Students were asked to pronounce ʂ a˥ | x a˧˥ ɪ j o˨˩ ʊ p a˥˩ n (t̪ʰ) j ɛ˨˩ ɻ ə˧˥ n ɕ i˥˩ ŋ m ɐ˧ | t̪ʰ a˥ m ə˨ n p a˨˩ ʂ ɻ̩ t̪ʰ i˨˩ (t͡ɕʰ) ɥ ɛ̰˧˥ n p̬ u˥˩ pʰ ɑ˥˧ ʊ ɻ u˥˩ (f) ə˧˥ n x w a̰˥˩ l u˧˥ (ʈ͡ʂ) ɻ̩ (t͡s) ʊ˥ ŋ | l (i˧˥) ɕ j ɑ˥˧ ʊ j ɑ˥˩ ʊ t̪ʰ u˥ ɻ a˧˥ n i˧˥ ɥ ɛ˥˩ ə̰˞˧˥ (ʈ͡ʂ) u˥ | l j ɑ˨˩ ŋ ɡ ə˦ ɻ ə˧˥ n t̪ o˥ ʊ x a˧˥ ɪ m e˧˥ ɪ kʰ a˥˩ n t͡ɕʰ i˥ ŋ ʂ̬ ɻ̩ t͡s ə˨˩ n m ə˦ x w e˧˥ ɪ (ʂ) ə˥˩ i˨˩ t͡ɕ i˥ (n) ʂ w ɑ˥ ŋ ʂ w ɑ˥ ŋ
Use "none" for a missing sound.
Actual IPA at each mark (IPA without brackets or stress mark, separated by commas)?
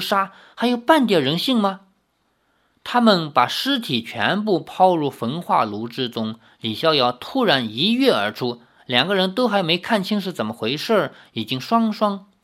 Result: t̪, t͡ɕʰ, f, ʈ͡ʂ, t͡s, i˨˩, ʈ͡ʂʰ, ʂ, ŋ